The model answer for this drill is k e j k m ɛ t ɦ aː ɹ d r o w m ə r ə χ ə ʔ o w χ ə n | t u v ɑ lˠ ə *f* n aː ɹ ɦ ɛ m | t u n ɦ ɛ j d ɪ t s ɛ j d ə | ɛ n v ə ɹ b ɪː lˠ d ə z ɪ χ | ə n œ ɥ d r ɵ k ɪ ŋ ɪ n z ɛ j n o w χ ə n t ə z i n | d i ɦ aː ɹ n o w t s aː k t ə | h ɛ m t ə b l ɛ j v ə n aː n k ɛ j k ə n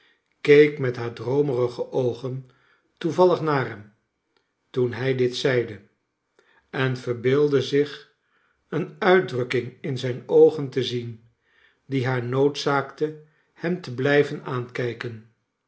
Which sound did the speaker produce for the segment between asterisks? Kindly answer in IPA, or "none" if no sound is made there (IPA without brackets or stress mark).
χ